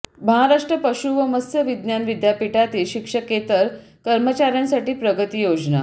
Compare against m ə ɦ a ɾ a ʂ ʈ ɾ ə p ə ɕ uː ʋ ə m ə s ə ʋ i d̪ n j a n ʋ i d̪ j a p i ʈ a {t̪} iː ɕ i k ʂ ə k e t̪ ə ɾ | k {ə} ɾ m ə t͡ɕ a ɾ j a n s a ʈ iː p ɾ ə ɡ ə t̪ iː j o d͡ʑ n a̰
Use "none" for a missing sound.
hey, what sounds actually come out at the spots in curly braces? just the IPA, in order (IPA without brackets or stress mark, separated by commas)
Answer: t̪, ə